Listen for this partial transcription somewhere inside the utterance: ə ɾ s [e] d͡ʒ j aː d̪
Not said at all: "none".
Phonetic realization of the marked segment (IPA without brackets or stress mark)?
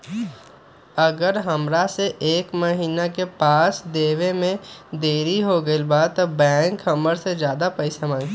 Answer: e